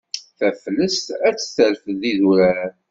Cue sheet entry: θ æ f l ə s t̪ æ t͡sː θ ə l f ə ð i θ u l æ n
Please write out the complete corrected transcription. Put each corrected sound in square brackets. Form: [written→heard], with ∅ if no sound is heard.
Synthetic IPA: θ æ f l ə s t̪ æ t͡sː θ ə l f ə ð i [θ→ð] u [l→ɾ] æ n